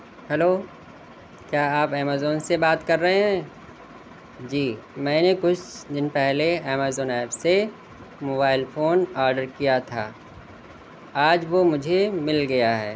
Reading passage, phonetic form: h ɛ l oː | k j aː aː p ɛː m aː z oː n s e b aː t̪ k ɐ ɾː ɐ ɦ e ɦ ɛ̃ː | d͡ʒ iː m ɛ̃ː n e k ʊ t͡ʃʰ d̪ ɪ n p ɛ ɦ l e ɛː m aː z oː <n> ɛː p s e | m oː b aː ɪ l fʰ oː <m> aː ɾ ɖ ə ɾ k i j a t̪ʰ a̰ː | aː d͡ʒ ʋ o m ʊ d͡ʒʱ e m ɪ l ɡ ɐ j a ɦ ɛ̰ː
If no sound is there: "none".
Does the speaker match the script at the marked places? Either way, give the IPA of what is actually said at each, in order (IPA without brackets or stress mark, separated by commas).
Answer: n, n